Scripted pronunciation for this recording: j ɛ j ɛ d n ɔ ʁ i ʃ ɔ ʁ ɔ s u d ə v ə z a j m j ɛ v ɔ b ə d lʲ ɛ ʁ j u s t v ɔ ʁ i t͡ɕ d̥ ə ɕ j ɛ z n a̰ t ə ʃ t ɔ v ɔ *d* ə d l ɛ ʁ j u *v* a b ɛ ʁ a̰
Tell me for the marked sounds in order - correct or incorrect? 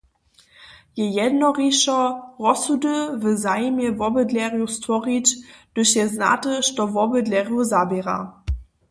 incorrect: b, incorrect: z

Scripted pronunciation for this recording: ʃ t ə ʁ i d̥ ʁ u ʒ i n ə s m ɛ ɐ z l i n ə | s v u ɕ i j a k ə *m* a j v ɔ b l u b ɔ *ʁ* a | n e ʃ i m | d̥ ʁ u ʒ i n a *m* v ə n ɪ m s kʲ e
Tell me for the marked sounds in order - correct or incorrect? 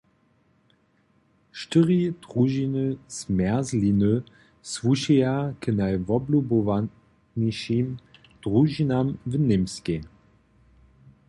incorrect: n, incorrect: v, correct

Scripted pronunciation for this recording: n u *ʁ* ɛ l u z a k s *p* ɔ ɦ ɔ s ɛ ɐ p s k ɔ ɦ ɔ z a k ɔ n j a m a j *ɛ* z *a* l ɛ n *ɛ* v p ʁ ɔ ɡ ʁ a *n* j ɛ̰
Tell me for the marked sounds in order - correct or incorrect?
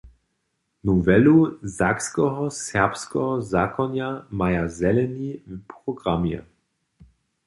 incorrect: v, incorrect: k, incorrect: a, incorrect: ɛ, incorrect: i, incorrect: m

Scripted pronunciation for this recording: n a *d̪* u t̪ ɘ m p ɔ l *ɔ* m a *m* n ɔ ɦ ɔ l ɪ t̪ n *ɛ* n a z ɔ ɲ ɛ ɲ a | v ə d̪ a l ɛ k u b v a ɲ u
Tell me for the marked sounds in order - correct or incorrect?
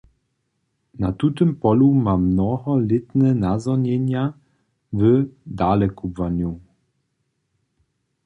incorrect: t̪, incorrect: u, correct, correct

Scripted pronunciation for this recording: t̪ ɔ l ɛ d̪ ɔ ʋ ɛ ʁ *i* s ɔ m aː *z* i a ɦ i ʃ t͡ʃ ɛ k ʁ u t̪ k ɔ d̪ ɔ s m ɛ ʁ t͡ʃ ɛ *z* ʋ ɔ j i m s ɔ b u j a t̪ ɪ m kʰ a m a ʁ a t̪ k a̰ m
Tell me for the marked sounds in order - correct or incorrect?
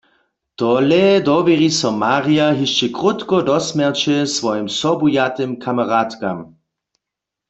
correct, incorrect: ʁ, incorrect: s

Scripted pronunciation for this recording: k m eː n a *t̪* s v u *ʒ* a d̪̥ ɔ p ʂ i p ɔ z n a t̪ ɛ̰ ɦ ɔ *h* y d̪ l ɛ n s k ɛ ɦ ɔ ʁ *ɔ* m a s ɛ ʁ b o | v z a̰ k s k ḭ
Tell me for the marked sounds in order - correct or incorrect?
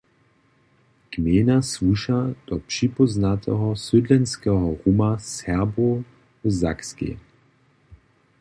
incorrect: none, incorrect: ʃ, incorrect: s, incorrect: u

